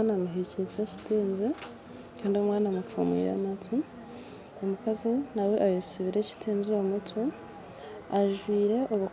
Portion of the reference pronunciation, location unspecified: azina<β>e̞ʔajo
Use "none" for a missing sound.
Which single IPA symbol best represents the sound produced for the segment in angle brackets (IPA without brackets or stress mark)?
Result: w